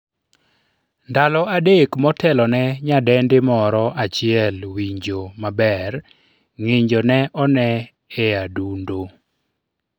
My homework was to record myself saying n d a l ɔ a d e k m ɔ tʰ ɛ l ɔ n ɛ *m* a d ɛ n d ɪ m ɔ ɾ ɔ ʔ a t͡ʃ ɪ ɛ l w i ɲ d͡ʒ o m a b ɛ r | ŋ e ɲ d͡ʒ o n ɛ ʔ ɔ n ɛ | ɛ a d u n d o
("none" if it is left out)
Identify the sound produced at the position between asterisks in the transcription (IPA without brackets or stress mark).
ɲ